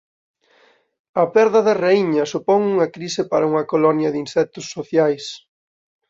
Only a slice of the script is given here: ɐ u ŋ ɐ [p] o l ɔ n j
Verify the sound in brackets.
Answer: incorrect: k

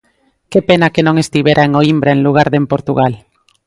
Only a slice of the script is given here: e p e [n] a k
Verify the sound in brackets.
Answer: correct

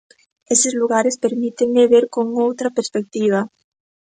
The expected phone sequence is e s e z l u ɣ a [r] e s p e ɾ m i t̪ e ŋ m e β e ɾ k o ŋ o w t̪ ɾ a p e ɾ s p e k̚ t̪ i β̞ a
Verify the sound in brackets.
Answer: incorrect: ɾ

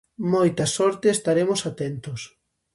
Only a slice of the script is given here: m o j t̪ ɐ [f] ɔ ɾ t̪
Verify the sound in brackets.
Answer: incorrect: s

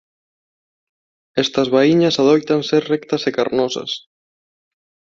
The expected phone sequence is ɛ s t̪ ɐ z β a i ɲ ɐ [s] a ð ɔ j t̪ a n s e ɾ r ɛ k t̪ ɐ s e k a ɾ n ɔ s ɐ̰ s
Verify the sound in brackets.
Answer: correct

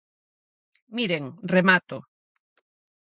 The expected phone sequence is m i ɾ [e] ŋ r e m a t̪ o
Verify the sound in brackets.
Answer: correct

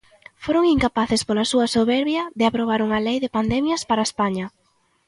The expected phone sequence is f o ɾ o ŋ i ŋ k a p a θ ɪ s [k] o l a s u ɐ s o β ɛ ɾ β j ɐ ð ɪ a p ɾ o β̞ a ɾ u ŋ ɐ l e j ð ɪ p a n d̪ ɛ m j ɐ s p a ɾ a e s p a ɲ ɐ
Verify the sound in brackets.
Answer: incorrect: p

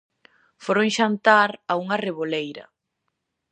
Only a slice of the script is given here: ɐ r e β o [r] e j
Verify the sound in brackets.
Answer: incorrect: l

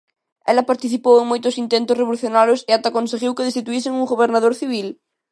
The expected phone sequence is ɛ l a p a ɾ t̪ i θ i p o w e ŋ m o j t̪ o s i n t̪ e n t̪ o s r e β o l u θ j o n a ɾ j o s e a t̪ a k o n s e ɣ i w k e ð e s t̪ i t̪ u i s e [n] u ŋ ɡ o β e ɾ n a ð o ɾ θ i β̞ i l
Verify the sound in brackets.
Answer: incorrect: ŋ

